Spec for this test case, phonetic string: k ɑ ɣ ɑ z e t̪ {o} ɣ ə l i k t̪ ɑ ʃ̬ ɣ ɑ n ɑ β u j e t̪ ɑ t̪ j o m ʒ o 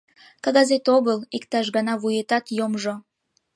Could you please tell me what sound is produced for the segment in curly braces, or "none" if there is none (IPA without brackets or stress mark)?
o